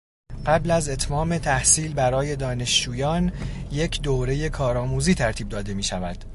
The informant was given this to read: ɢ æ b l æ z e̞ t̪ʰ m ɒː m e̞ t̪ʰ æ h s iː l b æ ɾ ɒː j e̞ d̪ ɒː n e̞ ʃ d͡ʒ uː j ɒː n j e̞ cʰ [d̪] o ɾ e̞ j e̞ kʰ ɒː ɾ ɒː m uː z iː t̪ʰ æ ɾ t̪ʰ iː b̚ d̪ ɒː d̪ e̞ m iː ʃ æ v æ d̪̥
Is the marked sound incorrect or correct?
correct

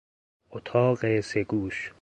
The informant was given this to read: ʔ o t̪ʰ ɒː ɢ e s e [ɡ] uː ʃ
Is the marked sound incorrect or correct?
correct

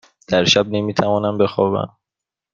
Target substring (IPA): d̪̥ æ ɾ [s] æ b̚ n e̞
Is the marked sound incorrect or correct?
incorrect: ʃ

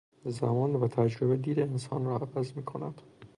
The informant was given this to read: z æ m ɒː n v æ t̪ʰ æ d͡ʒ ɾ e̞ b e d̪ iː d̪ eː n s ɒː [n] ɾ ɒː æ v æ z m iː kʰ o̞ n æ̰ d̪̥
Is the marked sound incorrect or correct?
correct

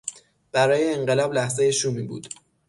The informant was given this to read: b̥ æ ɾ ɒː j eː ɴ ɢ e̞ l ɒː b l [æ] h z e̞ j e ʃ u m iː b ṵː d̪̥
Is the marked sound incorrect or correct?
correct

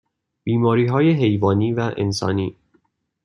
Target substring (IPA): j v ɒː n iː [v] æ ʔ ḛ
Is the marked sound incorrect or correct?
correct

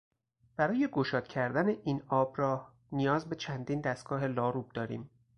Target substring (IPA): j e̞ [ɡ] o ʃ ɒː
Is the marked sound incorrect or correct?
correct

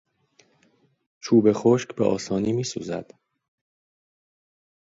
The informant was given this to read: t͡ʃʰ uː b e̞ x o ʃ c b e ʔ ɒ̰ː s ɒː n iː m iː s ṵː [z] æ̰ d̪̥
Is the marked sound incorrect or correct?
correct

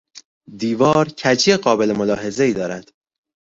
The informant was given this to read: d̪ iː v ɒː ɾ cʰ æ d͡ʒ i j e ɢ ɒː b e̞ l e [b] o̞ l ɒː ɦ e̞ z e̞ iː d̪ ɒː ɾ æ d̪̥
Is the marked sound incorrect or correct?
incorrect: m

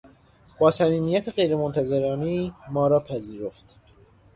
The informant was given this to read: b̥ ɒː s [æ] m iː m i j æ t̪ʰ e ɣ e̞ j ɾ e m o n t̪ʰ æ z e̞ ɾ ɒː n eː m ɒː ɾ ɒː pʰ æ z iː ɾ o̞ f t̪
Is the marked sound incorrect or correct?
correct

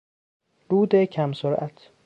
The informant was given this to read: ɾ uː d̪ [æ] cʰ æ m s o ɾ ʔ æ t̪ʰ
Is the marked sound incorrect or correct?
incorrect: e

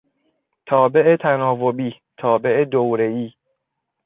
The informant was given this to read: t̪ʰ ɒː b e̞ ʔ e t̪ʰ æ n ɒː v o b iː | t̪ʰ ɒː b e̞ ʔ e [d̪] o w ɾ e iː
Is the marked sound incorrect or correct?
correct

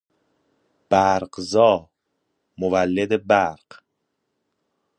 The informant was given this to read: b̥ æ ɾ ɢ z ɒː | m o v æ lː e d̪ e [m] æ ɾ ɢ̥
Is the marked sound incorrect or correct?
incorrect: b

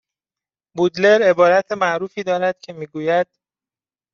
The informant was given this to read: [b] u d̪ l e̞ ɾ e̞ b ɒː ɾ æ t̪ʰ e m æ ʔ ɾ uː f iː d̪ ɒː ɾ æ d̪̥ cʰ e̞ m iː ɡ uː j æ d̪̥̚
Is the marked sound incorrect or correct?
correct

